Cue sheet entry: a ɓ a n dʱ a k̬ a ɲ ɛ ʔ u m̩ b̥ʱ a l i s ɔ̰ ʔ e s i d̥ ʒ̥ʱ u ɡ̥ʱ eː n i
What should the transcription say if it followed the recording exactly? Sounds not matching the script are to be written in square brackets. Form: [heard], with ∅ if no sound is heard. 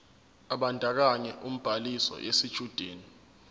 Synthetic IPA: a ɓ a n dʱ a k̬ a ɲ ɛ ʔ u m̩ b̥ʱ a l i s ɔ̰ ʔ e s i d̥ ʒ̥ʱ u [d̥ʱ] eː n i

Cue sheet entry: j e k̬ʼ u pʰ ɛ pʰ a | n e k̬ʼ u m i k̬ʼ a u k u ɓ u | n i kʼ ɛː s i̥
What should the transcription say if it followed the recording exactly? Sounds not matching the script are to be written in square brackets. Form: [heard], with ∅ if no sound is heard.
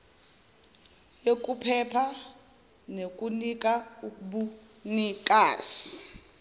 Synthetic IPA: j e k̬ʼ u pʰ ɛ pʰ a | n e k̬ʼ u [n] i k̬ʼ a u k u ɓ u | n i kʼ [aː] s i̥

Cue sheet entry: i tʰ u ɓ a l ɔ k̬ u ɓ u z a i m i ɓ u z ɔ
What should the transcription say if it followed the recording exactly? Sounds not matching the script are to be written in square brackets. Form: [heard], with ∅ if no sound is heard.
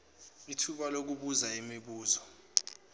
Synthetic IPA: i tʰ u ɓ a l [o] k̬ u ɓ u z a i m i ɓ [uː] z ɔ

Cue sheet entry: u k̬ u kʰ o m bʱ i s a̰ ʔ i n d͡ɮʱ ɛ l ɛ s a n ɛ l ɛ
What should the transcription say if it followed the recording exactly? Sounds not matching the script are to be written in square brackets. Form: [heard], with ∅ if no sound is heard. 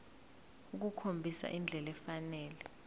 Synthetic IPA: u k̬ u kʰ o m bʱ i s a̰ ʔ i n d͡ɮʱ ɛ l ɛ [f] a n [ɛː] l ɛ

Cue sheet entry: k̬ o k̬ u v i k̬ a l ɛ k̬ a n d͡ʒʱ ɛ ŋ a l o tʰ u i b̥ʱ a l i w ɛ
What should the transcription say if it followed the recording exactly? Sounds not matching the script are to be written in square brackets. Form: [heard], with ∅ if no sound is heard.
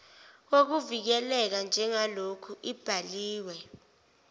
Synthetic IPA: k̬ o k̬ u v i k̬ [ɛ] l ɛ k̬ a n d͡ʒʱ ɛ ŋ a l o [kʰ] u i b̥ʱ a l [iː] w ɛ

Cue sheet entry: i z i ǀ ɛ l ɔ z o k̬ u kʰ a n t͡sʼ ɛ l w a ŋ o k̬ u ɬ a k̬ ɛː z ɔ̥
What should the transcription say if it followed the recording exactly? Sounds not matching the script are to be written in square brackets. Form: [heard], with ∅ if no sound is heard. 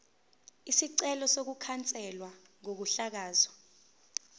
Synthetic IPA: i [s] i ǀ ɛ l ɔ [s] o k̬ u kʰ a n t͡sʼ ɛ l w a ŋ o k̬ u ɬ a k̬ [aː] z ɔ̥

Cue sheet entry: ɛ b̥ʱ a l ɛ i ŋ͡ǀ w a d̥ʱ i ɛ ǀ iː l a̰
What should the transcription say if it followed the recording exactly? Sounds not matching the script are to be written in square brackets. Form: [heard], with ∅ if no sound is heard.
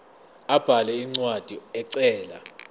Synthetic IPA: [a] b̥ʱ a l ɛ i ŋ͡ǀ w a d̥ʱ i ɛ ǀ [ɛː] l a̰

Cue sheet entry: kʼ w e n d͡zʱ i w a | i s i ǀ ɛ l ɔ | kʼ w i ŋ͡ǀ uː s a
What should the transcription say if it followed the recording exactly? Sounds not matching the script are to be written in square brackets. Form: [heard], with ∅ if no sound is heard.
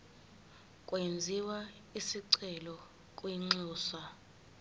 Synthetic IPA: kʼ w e n d͡zʱ i w a | i s i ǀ ɛ l ɔ | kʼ w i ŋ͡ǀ uː s a

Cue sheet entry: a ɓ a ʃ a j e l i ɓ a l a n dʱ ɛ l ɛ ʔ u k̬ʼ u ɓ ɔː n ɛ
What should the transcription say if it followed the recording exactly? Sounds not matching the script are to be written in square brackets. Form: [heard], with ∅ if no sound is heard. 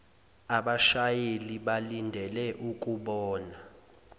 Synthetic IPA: a ɓ a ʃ a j e l i ɓ a l [i] n dʱ ɛ l ɛ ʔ u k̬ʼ u ɓ ɔː n [a]

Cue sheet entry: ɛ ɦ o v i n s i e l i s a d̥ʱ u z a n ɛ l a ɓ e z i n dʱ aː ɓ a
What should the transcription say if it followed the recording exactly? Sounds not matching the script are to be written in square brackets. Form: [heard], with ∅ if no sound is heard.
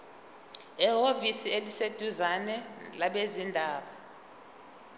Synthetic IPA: ɛ ɦ o v i [∅] s i e l i s [e] d̥ʱ u z a n ɛ l a ɓ e z i n dʱ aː ɓ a

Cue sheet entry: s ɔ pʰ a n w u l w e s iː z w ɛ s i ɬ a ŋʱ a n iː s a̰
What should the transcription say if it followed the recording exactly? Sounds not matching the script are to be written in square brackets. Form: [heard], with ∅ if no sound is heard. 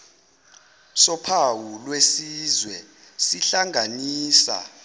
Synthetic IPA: s ɔ pʰ a [∅] w u l w e s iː z w ɛ s i ɬ a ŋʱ a n iː s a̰

